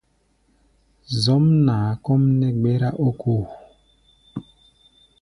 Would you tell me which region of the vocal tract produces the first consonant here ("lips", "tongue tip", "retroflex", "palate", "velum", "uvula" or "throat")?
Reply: tongue tip